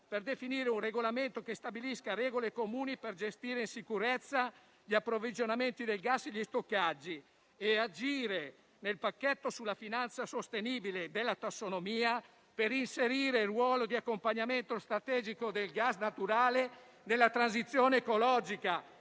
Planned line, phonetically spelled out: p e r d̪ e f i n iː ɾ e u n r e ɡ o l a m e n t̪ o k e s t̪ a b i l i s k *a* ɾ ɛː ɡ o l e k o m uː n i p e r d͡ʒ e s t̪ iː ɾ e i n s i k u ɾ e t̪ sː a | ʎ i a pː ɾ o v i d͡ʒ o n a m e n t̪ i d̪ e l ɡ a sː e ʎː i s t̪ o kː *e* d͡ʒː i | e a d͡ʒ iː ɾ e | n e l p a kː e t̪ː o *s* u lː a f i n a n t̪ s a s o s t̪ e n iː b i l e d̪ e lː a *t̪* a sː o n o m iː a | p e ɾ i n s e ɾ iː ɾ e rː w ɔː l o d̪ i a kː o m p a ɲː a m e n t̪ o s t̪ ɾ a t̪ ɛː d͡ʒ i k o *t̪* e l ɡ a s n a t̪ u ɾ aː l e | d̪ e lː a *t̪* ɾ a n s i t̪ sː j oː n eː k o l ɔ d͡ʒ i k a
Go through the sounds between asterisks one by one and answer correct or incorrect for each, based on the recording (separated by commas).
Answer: correct, incorrect, correct, correct, incorrect, correct